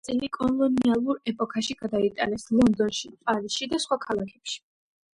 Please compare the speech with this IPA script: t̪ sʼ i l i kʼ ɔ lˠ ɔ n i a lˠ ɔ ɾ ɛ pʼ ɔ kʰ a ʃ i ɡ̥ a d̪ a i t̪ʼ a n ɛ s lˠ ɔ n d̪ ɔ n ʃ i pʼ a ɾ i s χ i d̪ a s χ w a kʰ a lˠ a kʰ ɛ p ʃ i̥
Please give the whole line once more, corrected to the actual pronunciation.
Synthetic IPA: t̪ sʼ i l i kʼ ɔ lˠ ɔ n i a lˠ u ɾ ɛ pʼ ɔ kʰ a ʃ i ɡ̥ a d̪ a i t̪ʼ a n ɛ s lˠ ɔ n d̪ ɔ n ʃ i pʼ a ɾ i s ʃ i d̪ a s χ w a kʰ a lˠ a kʰ ɛ p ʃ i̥